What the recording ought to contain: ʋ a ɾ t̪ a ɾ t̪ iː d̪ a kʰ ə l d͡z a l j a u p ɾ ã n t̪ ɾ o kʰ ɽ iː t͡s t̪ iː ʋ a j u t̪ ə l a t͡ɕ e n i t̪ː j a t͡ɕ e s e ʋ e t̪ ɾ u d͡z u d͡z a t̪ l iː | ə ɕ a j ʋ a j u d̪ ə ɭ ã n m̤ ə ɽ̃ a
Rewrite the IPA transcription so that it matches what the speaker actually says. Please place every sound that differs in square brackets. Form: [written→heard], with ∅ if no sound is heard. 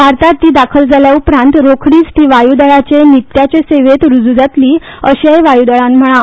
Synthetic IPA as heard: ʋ a ɾ t̪ a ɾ t̪ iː d̪ a kʰ ə l d͡z a l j a u p ɾ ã n t̪ ɾ o kʰ ɽ iː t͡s t̪ iː ʋ a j u [t̪→d̪] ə [l→ɭ] a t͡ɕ e n i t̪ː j a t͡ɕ e s e ʋ e t̪ ɾ u d͡z u d͡z a t̪ l iː | ə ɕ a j ʋ a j u d̪ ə ɭ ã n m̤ ə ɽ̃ a

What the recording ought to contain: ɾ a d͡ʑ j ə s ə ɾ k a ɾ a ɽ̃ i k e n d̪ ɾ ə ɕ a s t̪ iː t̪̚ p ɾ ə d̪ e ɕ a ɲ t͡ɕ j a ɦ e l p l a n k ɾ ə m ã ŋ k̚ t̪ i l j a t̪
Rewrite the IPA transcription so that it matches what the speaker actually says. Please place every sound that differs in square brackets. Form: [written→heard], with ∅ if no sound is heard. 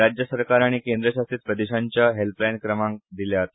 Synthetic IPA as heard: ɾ a d͡ʑ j ə s ə ɾ k a ɾ a ɽ̃ i k e n d̪ ɾ ə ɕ a s t̪ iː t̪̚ p ɾ ə d̪ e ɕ a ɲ t͡ɕ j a ɦ e l p l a n k ɾ ə m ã ŋ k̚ [t̪→d̪] i l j a t̪

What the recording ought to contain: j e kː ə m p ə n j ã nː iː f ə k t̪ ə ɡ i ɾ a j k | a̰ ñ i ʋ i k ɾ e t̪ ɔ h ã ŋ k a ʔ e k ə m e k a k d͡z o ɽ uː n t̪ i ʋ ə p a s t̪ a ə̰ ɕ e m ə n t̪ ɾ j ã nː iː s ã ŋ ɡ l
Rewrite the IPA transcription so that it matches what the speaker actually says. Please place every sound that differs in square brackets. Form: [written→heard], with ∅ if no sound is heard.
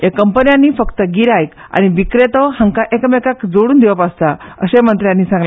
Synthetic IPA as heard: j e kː ə m p ə n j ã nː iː f ə k t̪ ə ɡ i ɾ a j k | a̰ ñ i ʋ i k ɾ e t̪ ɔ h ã ŋ k a ʔ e k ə m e k a k d͡z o ɽ uː n [t̪→d̪] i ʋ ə p a s t̪ a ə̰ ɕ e m ə n t̪ ɾ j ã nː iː s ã ŋ ɡ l

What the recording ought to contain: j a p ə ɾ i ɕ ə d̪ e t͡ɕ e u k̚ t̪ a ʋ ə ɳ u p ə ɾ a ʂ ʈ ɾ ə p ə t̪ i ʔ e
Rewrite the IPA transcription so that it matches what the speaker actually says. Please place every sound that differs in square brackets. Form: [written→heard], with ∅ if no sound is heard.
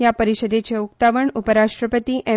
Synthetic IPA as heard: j a p ə ɾ i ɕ ə d̪ e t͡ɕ e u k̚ t̪ a ʋ ə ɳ u p ə ɾ a ʂ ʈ ɾ ə p ə t̪ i ʔ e

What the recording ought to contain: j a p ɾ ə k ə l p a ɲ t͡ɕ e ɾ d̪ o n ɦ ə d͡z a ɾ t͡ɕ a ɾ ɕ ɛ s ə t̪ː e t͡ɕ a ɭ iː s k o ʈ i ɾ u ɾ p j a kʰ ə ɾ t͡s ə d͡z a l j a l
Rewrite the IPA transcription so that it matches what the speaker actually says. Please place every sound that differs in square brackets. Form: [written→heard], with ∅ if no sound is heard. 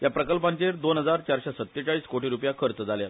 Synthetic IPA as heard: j a p ɾ ə k ə l p a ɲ t͡ɕ e ɾ d̪ o n ɦ ə d͡z a ɾ t͡ɕ a ɾ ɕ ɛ s ə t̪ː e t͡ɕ a ɭ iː s k o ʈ i ɾ u [ɾ→∅] p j a kʰ ə ɾ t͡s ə d͡z a l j a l

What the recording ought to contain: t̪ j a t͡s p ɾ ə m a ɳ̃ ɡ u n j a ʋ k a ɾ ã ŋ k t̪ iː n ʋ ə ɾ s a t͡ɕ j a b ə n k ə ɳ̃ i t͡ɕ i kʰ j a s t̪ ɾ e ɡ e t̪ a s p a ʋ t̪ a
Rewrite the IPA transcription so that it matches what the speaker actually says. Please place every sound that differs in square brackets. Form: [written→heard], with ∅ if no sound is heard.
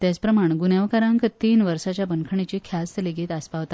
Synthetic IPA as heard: t̪ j a t͡s p ɾ ə m a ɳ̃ ɡ u n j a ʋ k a ɾ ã ŋ k t̪ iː n ʋ ə ɾ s a t͡ɕ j a b ə n [k→kʰ] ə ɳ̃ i t͡ɕ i kʰ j a s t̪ [ɾ→l] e ɡ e t̪ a s p a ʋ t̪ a

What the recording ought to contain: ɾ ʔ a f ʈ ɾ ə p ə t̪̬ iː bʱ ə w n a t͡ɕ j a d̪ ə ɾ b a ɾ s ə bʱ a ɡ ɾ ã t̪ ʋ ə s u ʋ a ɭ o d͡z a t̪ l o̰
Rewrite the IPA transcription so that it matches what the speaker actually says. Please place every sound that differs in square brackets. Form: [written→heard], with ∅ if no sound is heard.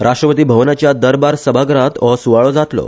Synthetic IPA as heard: ɾ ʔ a [f→ʂ] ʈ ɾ ə p ə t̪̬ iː bʱ ə [w→ʋ] n a t͡ɕ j a d̪ ə ɾ b a ɾ s ə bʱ a ɡ ɾ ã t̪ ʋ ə s u ʋ a ɭ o d͡z a t̪ l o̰

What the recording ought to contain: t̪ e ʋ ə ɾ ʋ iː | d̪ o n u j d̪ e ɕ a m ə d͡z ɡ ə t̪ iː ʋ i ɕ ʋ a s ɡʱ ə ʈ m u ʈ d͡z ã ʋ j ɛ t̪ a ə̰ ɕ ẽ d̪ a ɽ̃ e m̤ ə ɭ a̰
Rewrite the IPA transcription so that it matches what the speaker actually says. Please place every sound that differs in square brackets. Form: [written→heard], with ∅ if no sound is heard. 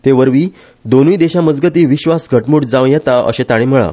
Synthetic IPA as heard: t̪ e ʋ ə ɾ ʋ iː | d̪ o n u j d̪ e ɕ a m ə d͡z ɡ ə t̪ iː ʋ i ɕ ʋ a s ɡʱ ə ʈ m u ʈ d͡z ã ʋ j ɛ t̪ a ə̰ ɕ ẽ [d̪→t̪] a ɽ̃ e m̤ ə ɭ a̰

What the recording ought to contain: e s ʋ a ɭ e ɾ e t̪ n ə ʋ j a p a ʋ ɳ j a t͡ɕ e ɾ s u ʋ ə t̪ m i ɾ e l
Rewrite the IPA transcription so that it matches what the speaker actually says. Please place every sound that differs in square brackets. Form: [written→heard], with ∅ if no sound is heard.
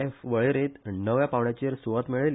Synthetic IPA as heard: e [s→f] ʋ [a→ə] ɭ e ɾ e t̪ n ə ʋ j a p a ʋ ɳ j a t͡ɕ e ɾ s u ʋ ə t̪ m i [ɾ→ɭ] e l

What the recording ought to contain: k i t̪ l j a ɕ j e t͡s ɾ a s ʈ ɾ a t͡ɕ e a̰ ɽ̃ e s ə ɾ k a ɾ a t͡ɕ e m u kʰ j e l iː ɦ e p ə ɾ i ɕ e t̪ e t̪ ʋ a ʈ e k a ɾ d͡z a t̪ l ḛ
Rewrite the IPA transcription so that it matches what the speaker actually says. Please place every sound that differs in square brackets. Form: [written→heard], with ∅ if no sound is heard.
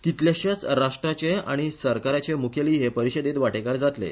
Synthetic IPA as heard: k i t̪ l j a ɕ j [e→a] t͡s ɾ a [s→ʂ] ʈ ɾ a t͡ɕ e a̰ ɽ̃ [e→i] s ə ɾ k a ɾ a t͡ɕ e m u kʰ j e l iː ɦ e p ə ɾ i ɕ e [t̪→d̪] e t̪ ʋ a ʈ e k a ɾ d͡z a t̪ l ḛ

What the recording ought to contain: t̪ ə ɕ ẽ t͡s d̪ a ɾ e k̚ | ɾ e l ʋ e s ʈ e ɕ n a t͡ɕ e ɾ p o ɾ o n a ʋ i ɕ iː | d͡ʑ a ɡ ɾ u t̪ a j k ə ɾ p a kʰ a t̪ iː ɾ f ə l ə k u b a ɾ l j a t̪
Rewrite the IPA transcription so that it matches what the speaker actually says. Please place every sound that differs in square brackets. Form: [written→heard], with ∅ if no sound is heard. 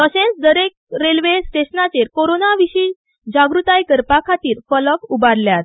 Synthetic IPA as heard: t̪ ə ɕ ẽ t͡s d̪ [a→ə] ɾ e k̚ | ɾ e l ʋ e s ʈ e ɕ n a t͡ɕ e ɾ [p→k] o ɾ o n a ʋ i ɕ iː | d͡ʑ a ɡ ɾ u t̪ a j k ə ɾ p a kʰ a t̪ iː ɾ f ə l ə k u b a ɾ l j a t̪

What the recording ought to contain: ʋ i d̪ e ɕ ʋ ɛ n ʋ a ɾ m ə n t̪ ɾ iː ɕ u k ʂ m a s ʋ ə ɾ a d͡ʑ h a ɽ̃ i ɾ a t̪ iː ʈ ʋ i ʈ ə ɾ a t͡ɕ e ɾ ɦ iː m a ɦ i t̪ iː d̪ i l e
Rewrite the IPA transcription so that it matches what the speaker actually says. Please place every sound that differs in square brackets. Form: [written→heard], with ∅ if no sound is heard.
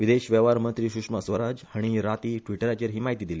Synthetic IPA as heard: ʋ i d̪ e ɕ ʋ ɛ [n→∅] ʋ a ɾ m ə n t̪ ɾ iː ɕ u k ʂ m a s ʋ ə ɾ a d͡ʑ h a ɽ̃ i ɾ a t̪ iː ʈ ʋ i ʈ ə ɾ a t͡ɕ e ɾ ɦ iː m a ɦ i t̪ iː d̪ i l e

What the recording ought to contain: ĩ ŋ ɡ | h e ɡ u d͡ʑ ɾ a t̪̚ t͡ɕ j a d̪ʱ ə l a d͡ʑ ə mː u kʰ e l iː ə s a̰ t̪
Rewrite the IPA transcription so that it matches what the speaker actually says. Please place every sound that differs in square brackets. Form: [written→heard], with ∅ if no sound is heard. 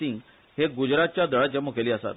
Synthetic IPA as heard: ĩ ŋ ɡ | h e ɡ u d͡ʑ ɾ a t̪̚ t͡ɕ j a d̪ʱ ə [l→ɭ] a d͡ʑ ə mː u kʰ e l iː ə s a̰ t̪

